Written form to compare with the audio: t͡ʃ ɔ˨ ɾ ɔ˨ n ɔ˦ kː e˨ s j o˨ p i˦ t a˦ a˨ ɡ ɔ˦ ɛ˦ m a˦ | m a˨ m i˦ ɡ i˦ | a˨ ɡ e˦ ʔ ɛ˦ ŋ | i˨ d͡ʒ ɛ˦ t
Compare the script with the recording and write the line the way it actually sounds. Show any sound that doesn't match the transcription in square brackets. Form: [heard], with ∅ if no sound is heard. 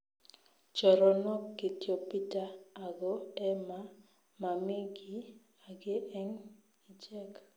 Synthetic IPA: t͡ʃ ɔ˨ ɾ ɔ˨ n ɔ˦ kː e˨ [t] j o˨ p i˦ t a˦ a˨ ɡ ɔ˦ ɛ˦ m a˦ | m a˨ m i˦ ɡ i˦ | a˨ ɡ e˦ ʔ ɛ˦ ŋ | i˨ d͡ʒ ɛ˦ [k]